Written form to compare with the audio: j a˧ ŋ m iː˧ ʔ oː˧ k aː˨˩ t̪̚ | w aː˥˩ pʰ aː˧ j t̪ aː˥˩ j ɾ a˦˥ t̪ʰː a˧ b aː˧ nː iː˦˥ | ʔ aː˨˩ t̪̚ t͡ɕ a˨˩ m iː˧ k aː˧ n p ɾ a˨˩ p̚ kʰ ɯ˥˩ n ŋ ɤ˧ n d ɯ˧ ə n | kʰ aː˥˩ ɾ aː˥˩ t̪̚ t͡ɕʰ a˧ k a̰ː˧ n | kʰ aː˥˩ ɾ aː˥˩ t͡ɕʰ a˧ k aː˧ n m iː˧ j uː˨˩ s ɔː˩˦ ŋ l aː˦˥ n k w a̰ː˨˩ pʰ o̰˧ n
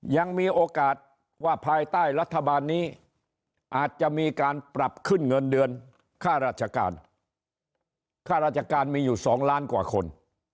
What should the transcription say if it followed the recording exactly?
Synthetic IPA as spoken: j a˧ ŋ m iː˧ ʔ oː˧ k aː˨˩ t̪̚ | w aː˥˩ pʰ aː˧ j t̪ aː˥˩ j ɾ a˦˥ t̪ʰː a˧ b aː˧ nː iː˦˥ | ʔ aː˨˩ t̪̚ t͡ɕ a˨˩ m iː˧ k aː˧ n p ɾ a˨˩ p̚ kʰ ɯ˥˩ n ŋ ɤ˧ n d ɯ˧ ə n | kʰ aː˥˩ ɾ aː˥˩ t̪̚ t͡ɕʰ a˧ k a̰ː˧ n | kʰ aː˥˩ ɾ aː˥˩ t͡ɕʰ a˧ k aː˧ n m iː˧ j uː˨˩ s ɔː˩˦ ŋ l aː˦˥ n k w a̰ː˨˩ kʰ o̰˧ n